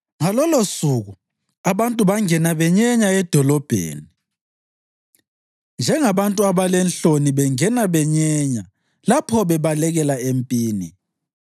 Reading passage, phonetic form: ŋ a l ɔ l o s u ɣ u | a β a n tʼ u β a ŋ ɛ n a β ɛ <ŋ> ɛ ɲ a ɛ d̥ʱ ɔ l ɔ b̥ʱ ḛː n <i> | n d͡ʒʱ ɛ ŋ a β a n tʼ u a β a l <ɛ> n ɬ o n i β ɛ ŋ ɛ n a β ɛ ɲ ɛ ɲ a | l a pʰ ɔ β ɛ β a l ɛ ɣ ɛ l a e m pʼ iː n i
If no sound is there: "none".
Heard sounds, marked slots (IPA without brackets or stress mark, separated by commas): ɲ, i, ɛ